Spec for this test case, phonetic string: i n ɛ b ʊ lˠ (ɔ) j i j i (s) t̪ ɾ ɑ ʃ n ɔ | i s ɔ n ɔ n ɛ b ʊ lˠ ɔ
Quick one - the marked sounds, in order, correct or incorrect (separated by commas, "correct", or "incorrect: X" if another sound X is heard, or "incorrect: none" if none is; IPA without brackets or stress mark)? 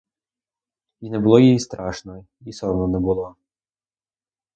correct, correct